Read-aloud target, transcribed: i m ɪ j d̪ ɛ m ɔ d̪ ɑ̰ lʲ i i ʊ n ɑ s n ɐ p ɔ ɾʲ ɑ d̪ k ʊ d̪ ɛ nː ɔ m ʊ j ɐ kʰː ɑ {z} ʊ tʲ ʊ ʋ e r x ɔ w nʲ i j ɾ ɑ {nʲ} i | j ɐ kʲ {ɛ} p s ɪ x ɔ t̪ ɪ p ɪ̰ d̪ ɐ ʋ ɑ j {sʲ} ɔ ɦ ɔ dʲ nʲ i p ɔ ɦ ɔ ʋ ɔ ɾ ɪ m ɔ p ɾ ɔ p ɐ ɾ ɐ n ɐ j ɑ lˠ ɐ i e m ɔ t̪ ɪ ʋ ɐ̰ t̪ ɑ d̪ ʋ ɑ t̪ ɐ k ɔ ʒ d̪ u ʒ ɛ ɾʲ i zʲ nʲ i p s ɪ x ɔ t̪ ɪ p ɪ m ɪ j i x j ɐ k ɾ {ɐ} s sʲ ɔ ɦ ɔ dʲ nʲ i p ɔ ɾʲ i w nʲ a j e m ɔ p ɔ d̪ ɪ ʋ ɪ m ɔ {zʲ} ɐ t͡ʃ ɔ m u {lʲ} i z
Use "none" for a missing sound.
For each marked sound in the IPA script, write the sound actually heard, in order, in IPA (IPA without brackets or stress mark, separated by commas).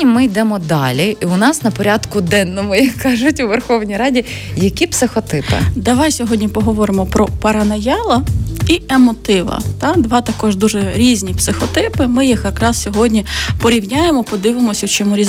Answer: ʒ, dʲ, i, sʲ, ɑ, sʲ, ɾʲ